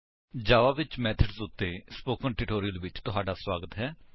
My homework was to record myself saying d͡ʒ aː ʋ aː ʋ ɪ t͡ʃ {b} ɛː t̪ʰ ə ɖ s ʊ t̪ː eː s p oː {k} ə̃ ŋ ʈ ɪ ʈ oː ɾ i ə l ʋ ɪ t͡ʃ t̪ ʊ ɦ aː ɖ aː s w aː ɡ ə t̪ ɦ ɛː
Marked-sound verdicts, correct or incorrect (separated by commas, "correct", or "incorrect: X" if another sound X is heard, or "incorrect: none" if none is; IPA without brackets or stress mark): incorrect: m, correct